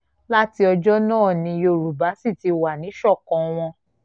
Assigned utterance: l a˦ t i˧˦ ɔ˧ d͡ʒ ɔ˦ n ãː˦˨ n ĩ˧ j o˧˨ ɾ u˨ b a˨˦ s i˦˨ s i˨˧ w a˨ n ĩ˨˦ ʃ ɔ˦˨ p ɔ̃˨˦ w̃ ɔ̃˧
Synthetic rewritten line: l a˦ t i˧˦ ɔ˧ d͡ʒ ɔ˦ n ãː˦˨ n ĩ˧ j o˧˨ ɾ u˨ b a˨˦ s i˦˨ t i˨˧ w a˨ n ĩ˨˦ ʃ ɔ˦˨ k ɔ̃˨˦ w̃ ɔ̃˧